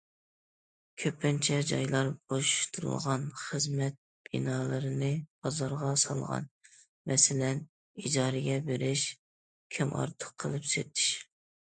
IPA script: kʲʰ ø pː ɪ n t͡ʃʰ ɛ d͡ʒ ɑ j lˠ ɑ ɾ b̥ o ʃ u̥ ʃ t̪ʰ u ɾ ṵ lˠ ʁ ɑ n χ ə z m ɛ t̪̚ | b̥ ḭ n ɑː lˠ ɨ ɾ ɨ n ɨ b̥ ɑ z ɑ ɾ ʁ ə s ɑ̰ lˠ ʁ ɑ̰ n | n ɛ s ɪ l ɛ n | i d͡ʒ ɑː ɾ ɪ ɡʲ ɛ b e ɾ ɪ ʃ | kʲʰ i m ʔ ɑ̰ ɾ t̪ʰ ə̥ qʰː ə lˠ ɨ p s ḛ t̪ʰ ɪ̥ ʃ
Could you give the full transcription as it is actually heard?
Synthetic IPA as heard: kʲʰ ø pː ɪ n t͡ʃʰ ɛ d͡ʒ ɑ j lˠ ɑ ɾ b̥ o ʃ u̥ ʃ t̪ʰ u ɾ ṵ lˠ ʁ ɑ n χ ə z m ɛ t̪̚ | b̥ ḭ n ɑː lˠ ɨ ɾ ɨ n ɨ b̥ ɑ z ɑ ɾ ʁ ɑ s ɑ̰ lˠ ʁ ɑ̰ n | m ɛ s ɪ l ɛ n | i d͡ʒ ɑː ɾ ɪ ɡʲ ɛ b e ɾ ɪ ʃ | kʲʰ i m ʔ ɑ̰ ɾ t̪ʰ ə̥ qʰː ə lˠ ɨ p s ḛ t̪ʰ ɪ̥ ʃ